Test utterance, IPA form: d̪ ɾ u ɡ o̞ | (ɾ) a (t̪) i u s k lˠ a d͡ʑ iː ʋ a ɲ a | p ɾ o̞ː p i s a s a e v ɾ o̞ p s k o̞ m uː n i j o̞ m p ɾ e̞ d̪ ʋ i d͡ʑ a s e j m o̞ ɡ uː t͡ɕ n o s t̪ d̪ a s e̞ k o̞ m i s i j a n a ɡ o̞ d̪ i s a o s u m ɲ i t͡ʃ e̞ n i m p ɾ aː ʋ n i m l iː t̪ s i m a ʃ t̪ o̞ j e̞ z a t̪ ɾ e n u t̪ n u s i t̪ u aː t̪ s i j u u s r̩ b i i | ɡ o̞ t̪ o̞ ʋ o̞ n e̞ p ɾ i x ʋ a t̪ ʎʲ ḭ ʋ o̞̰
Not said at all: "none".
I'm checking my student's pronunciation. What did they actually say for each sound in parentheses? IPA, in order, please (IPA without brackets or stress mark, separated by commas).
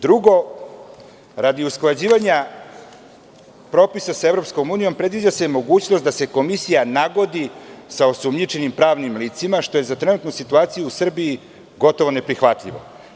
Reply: ɾ, d̪